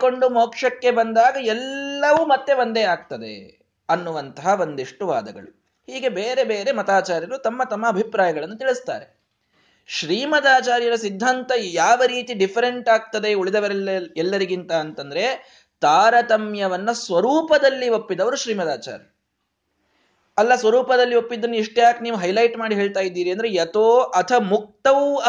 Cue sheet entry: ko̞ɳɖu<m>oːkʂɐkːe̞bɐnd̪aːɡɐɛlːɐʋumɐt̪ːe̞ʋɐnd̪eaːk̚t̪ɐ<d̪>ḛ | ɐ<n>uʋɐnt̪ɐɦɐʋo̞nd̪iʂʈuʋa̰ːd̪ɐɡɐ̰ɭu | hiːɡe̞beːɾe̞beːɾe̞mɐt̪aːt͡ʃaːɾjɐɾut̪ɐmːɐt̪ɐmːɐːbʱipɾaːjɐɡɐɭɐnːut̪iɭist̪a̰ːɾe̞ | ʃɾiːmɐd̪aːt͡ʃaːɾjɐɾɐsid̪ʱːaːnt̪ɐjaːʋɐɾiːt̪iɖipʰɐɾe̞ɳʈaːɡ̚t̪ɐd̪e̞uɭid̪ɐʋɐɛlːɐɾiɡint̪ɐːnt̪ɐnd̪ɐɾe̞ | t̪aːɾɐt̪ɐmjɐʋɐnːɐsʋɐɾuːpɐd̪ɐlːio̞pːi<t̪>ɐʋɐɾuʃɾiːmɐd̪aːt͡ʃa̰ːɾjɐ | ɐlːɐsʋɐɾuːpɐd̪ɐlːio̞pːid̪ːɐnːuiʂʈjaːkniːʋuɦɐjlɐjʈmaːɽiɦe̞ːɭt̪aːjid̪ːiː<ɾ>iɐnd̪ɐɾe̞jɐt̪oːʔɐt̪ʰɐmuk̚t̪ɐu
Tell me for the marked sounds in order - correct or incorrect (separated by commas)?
correct, correct, incorrect, incorrect, correct